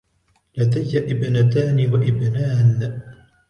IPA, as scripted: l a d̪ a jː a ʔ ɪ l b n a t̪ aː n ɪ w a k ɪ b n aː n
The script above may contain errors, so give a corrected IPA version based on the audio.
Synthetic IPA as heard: l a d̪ a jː a ʔ ɪ b n a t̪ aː n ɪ w a ʔ ɪ b n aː n